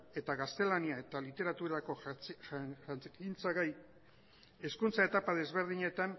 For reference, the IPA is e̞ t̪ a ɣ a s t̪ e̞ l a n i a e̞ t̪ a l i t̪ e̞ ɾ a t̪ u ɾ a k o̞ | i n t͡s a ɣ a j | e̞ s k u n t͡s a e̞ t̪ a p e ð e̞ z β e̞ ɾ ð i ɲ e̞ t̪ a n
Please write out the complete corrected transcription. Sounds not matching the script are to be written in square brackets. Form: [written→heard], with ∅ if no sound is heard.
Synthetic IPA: e̞ t̪ a ɣ a s t̪ e̞ l a n i a e̞ t̪ a l i t̪ e̞ ɾ a t̪ u ɾ a k o̞ | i n t͡s a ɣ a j | e̞ s k u n t͡s a e̞ t̪ a p [e→a] ð e̞ z β e̞ ɾ ð i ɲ e̞ t̪ a n